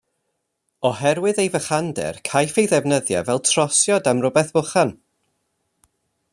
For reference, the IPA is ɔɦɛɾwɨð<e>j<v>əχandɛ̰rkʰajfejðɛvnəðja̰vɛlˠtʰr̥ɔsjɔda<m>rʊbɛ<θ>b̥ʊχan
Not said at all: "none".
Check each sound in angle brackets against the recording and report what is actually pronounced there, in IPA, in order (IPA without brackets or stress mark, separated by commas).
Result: e, v, m, θ